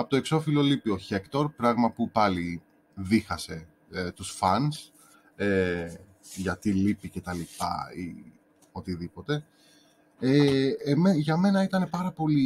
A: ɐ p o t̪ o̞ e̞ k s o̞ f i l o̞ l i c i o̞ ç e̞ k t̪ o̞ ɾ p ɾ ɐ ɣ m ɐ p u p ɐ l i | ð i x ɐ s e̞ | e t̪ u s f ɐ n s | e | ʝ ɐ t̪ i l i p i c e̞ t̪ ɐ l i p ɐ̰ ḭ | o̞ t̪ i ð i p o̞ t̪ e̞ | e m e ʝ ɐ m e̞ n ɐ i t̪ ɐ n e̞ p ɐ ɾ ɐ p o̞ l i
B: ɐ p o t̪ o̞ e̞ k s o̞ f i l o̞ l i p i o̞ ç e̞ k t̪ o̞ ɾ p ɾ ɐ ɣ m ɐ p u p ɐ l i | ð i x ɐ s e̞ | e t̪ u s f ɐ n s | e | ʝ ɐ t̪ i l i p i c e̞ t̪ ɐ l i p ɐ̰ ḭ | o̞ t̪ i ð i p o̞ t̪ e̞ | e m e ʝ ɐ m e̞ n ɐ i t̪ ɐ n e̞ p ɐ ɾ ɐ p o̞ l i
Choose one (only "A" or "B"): B